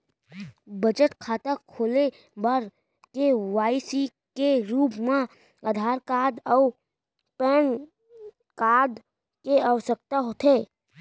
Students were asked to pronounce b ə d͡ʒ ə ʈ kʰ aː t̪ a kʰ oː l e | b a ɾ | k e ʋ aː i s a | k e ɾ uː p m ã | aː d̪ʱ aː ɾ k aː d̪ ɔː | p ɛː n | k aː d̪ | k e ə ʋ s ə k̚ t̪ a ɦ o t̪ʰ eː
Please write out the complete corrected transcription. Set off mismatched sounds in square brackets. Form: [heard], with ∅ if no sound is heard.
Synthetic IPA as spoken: b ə d͡ʒ ə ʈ kʰ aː t̪ a kʰ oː l e | b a ɾ | k e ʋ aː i s [i] | k e ɾ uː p m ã | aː d̪ʱ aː ɾ k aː d̪ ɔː | p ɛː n | k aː d̪ | k e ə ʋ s ə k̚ t̪ a ɦ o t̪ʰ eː